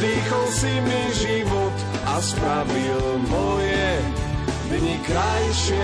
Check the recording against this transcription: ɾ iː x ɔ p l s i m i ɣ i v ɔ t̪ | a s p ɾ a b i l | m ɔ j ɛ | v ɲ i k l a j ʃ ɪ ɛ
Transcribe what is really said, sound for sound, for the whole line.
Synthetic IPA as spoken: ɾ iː x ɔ l s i m i ʒ i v ɔ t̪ | a s p ɾ a v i l | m ɔ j ɛ | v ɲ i k ɾ a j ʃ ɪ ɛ